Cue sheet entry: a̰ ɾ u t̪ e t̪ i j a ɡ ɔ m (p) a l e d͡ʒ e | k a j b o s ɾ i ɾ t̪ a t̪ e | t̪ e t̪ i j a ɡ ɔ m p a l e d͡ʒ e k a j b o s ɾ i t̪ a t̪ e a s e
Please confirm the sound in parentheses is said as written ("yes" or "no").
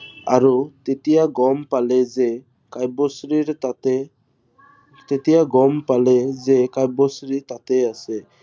yes